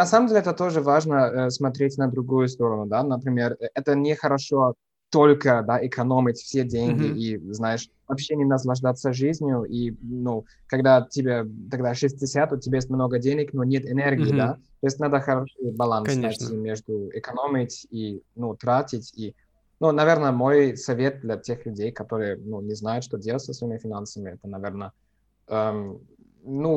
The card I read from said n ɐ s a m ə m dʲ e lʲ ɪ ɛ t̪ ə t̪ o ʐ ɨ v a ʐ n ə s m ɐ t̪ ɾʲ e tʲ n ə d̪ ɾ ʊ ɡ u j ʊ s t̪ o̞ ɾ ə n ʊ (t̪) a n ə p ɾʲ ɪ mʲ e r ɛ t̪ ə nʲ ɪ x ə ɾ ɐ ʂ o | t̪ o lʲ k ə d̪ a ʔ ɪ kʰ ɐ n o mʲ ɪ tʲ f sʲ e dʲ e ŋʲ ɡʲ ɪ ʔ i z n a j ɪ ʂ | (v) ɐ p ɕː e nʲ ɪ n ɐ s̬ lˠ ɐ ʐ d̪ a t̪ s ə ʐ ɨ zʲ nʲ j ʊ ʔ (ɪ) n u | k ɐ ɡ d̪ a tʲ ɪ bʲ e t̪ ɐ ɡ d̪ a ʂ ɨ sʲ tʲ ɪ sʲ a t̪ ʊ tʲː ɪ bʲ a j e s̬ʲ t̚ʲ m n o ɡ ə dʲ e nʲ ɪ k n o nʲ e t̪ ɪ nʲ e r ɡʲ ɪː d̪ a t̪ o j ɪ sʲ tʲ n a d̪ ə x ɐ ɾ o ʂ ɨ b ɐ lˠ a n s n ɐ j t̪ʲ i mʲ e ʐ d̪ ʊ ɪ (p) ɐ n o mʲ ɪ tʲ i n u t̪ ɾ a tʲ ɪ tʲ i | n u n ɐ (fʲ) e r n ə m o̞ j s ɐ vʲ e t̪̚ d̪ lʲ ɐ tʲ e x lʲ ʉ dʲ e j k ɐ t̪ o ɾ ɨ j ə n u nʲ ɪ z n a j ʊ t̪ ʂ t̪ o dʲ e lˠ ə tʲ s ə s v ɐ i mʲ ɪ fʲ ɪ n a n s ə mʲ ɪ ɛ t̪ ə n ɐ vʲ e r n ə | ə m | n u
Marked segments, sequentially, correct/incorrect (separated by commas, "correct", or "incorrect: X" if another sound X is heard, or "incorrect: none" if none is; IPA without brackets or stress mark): incorrect: d̪, correct, incorrect: i, incorrect: k, incorrect: vʲ